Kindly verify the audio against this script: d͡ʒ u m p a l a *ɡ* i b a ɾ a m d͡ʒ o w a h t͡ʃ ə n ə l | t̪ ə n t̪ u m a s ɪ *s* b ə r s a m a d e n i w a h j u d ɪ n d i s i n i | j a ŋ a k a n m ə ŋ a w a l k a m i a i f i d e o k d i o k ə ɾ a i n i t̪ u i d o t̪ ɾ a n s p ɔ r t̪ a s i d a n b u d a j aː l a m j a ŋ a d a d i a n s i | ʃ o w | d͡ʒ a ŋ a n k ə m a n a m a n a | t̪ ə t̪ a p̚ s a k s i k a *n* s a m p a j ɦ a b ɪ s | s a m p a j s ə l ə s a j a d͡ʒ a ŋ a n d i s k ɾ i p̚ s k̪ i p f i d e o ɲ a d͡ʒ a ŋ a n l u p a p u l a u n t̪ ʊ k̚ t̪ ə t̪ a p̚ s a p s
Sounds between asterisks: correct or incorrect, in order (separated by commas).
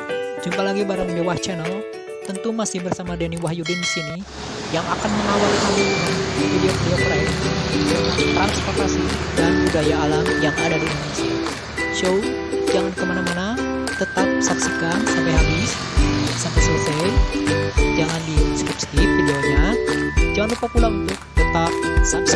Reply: correct, incorrect, correct